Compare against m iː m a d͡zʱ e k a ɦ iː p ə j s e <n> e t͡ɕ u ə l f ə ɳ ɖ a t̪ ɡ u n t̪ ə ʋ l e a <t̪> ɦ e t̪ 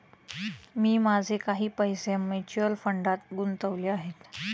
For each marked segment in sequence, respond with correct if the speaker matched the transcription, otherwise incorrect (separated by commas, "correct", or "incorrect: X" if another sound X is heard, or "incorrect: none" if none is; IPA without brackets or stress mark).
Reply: incorrect: m, incorrect: none